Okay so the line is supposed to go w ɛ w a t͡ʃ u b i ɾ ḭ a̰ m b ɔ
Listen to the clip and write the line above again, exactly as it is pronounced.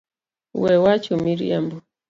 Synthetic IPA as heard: w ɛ w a t͡ʃ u m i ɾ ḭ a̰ m b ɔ